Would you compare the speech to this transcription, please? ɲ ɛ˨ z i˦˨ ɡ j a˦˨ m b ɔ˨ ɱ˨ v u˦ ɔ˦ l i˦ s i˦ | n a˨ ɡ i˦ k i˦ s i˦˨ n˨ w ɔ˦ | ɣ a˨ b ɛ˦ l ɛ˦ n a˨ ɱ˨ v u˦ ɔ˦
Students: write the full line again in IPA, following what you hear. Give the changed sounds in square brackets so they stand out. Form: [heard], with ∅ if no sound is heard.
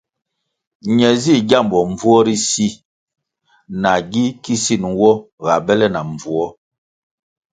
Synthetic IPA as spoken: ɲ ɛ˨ z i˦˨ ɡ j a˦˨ m b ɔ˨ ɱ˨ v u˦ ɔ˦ [ɾ] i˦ s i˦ | n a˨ ɡ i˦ k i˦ s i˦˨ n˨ w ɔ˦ | ɣ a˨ b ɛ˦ l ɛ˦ n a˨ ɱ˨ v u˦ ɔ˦